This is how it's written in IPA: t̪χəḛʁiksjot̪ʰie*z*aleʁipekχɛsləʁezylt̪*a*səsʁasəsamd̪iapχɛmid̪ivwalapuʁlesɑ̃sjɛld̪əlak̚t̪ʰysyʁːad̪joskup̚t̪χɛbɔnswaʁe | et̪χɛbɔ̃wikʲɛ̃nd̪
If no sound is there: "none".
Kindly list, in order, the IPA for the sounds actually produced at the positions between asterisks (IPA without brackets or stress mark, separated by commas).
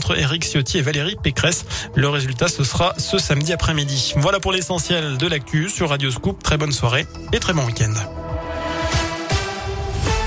v, a